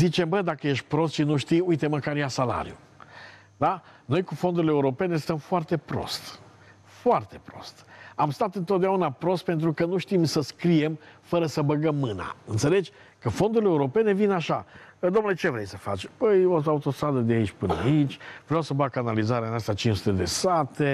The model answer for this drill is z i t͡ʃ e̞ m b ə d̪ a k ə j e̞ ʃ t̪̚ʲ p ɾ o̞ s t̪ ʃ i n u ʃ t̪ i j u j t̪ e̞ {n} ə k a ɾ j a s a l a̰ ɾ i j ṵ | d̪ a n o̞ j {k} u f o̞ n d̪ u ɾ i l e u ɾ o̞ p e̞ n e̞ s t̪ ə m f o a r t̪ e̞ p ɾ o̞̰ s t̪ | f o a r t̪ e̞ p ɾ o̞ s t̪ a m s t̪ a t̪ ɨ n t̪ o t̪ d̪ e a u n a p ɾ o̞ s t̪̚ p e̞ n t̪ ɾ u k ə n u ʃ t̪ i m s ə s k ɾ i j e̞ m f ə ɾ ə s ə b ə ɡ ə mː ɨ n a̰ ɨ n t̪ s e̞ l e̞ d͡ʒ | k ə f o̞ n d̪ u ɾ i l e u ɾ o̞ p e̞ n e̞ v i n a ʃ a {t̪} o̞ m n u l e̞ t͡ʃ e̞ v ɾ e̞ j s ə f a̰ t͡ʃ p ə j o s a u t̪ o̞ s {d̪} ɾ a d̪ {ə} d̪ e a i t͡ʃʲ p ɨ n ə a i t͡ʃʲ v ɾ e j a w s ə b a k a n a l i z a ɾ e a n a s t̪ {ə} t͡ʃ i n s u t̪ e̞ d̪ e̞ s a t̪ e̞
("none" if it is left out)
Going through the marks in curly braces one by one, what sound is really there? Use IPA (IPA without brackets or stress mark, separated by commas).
m, k, d̪, t̪, ə, a